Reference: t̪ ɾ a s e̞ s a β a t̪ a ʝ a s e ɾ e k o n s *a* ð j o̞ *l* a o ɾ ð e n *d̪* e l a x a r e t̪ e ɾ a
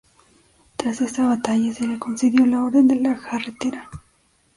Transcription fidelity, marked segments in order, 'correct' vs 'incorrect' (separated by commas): incorrect, correct, correct